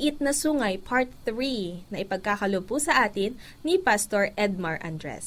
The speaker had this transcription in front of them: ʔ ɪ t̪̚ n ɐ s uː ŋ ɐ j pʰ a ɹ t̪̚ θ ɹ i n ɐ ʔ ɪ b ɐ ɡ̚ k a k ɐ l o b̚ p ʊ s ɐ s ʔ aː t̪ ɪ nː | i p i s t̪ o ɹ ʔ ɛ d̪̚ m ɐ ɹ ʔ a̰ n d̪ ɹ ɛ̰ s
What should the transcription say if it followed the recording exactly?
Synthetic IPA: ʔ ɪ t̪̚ n ɐ s uː ŋ ɐ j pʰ a ɹ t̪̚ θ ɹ i n ɐ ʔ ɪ p ɐ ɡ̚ k a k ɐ l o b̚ p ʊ s ɐ ʔ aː t̪ ɪ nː | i p a s t̪ o ɹ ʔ ɛ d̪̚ m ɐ ɹ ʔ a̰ n d̪ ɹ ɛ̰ s